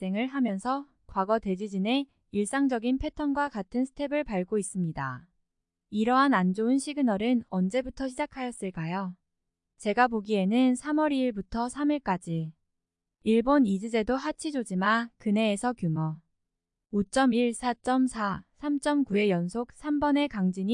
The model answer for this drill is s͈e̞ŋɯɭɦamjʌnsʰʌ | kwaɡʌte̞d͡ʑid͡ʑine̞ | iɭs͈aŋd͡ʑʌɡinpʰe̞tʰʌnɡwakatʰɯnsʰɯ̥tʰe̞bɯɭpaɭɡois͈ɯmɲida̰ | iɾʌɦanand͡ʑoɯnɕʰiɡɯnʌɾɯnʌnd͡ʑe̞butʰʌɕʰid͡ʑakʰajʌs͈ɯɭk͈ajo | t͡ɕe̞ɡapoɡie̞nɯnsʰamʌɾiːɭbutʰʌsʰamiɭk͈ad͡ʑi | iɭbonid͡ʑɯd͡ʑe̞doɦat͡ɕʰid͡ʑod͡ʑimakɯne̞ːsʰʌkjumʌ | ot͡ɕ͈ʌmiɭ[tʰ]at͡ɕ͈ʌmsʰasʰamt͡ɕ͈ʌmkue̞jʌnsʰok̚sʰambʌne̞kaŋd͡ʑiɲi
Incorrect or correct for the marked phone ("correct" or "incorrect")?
incorrect